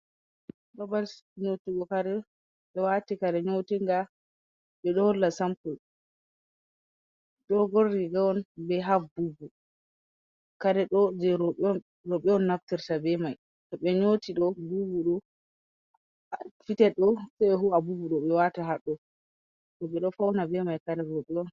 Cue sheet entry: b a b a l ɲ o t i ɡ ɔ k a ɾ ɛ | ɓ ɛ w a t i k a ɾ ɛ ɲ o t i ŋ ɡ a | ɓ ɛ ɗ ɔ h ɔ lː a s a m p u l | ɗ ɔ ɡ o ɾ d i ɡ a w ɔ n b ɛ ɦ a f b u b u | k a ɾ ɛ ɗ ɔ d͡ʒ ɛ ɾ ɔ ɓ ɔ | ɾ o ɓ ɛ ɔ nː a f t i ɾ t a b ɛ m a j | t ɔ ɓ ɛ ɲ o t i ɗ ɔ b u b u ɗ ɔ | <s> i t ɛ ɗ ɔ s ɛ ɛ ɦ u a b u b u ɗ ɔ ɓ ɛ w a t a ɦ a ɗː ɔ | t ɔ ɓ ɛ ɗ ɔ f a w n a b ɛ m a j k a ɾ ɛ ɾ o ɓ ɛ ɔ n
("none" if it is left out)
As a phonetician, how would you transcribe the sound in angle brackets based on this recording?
f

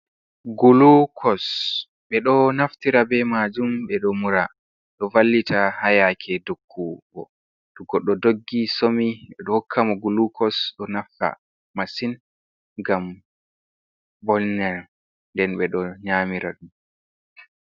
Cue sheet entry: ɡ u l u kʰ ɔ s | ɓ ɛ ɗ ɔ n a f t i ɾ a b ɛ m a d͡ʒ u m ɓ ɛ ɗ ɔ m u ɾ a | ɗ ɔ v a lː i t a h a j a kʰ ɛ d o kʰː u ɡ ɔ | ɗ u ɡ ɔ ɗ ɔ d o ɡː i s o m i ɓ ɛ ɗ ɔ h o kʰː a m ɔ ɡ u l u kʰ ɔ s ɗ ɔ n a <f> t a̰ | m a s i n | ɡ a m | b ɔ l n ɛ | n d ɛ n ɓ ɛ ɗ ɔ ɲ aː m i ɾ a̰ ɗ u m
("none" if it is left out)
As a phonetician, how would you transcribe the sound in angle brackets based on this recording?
f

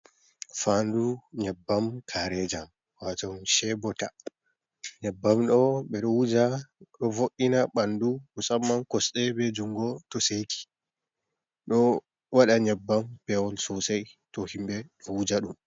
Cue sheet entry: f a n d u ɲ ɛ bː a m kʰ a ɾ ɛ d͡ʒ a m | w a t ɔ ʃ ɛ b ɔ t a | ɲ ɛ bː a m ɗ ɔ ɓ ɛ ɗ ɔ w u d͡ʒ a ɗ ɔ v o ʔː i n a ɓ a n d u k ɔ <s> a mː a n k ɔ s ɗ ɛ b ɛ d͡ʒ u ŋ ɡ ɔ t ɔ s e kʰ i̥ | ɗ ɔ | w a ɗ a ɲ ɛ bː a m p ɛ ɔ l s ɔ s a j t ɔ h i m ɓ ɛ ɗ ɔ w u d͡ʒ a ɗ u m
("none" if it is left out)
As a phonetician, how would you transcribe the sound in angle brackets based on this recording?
s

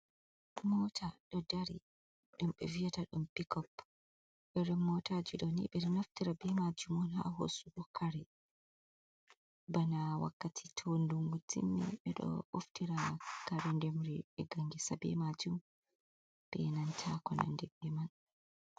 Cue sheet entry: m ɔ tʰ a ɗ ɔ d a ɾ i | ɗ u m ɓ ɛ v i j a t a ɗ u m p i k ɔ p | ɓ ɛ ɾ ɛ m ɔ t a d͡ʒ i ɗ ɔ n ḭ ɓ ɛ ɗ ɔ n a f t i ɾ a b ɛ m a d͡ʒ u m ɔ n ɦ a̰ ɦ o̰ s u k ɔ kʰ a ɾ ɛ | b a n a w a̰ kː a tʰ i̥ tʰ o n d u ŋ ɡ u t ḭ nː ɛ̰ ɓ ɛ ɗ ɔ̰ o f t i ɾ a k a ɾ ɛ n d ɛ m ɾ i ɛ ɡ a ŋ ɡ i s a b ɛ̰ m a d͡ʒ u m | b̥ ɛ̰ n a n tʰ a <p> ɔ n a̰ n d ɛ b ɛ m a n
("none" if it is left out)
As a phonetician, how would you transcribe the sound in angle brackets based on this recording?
k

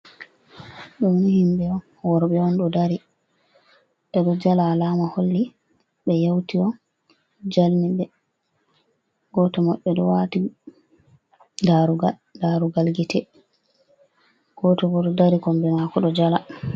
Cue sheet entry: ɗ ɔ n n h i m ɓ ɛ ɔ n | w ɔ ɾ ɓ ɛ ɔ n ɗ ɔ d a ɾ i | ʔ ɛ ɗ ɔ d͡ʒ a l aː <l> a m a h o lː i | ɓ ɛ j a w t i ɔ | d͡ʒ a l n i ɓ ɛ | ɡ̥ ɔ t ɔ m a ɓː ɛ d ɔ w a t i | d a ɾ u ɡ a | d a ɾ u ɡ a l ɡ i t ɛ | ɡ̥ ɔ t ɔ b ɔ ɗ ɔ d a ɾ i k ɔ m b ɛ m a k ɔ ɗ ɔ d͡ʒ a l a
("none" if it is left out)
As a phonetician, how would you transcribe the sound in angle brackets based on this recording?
l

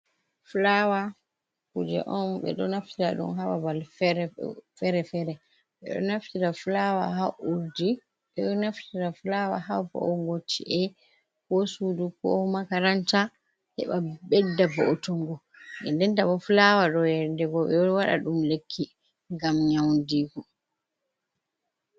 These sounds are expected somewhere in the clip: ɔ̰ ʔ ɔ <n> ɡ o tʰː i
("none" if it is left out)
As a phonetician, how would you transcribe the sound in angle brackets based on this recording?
ŋ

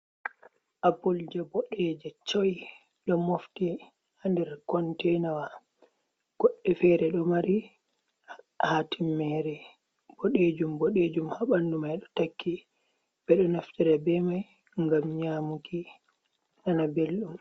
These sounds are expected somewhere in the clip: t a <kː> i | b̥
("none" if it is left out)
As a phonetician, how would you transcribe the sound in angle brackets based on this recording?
kː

